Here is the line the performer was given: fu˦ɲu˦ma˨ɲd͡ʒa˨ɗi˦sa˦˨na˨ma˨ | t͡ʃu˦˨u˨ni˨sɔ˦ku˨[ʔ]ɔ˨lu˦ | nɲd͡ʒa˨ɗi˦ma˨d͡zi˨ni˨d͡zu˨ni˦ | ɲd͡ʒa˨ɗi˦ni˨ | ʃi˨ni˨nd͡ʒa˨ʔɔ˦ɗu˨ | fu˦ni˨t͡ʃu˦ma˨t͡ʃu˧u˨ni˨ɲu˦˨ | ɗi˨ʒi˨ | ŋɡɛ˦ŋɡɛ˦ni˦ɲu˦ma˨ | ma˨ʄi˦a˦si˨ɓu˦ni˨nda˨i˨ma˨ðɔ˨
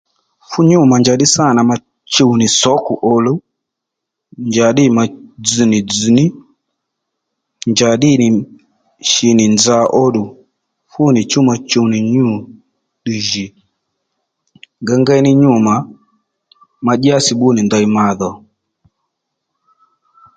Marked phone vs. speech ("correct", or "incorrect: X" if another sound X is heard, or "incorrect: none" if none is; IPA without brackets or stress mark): correct